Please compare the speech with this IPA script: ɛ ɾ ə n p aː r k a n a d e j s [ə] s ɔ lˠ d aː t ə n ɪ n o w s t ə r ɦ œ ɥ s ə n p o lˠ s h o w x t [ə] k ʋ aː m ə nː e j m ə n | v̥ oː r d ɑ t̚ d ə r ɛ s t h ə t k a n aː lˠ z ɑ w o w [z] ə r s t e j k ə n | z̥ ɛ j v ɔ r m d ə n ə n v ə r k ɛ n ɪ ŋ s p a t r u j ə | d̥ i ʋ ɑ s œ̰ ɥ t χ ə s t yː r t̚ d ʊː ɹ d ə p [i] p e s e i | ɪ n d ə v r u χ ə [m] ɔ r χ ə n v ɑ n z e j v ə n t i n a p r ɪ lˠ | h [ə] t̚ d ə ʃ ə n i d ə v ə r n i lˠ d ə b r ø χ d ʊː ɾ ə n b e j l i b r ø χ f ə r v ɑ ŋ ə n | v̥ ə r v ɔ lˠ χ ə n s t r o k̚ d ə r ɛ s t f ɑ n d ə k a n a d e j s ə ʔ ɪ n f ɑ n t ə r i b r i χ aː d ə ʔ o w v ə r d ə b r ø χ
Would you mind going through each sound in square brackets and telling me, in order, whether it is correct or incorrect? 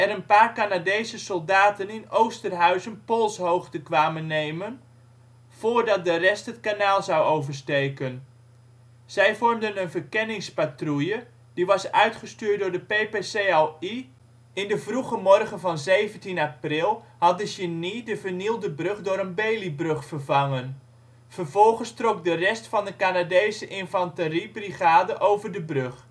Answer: correct, correct, incorrect, incorrect, correct, incorrect

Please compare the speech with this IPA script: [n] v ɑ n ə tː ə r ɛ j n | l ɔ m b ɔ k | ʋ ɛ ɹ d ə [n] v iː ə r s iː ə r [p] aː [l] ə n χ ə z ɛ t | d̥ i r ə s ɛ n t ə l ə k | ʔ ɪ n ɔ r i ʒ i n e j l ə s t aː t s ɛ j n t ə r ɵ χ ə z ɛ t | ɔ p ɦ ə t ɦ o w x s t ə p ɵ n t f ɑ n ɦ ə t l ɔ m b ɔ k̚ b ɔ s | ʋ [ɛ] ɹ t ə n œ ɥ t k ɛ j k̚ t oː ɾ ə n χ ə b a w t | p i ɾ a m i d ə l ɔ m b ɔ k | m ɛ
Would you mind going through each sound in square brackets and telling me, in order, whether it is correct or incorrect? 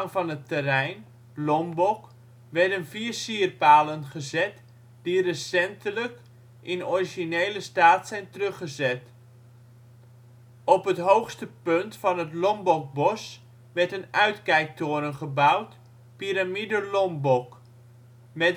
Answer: incorrect, correct, correct, correct, correct

